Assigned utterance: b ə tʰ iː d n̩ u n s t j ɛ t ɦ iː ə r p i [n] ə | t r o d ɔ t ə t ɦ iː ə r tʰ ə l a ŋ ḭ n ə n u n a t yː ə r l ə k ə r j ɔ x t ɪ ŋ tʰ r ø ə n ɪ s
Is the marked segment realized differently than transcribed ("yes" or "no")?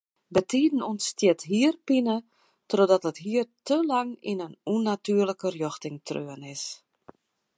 no